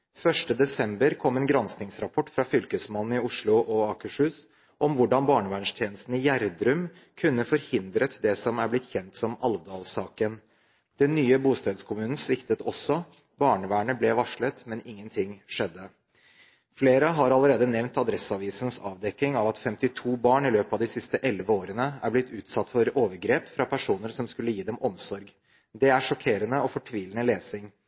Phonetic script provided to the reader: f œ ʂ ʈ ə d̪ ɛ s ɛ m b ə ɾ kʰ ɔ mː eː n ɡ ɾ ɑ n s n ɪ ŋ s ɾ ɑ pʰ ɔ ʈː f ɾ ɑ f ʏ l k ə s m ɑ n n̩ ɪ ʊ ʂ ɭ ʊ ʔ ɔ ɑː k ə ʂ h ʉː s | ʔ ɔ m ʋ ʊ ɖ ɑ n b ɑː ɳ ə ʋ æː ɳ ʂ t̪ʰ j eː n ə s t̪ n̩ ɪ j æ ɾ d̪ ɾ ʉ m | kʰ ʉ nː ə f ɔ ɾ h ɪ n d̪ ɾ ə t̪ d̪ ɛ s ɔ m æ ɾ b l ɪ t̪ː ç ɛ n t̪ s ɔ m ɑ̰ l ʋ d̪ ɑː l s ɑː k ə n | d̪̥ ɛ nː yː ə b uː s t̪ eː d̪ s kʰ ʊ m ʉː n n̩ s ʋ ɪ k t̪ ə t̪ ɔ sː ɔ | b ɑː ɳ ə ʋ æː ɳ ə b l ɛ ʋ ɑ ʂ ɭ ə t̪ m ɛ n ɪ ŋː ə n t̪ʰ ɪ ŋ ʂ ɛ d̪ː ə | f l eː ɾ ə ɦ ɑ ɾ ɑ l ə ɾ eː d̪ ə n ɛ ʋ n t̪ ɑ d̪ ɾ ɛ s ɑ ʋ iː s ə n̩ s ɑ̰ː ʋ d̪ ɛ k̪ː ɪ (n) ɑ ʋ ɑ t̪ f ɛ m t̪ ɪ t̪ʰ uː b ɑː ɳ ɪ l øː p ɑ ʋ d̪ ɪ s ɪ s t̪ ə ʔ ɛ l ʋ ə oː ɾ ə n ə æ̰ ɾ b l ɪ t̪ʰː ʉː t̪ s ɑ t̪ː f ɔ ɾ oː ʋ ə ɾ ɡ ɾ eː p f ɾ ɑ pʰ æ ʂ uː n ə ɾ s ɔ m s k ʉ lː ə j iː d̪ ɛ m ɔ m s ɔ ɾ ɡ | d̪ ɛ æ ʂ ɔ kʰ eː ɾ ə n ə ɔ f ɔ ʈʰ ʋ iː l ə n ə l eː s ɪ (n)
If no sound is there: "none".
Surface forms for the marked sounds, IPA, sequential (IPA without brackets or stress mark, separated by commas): ŋ, ŋ